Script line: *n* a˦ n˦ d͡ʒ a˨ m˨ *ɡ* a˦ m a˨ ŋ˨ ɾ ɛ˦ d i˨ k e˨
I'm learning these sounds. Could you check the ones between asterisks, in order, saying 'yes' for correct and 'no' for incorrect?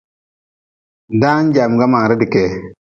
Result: no, yes

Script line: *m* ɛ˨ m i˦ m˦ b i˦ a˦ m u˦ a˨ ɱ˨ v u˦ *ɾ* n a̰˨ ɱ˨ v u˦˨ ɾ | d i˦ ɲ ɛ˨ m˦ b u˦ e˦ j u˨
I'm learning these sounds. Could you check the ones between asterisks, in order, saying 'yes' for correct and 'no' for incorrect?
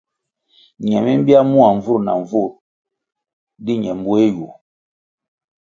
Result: no, yes

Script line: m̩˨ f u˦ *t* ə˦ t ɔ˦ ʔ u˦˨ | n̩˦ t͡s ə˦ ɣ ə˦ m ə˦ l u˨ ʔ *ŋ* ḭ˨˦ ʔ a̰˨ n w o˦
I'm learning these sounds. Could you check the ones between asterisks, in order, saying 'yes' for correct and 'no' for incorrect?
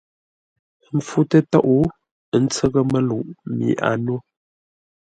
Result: yes, no

